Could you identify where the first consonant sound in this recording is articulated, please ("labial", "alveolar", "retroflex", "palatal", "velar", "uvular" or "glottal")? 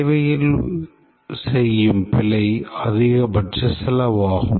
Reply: labial